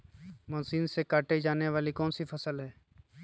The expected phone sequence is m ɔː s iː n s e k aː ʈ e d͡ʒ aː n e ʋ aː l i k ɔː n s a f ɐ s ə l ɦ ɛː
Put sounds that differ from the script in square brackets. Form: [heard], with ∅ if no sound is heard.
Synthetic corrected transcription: m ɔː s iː n s e k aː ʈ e d͡ʒ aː n e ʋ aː l i k ɔː n s [i] f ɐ s ə l ɦ ɛː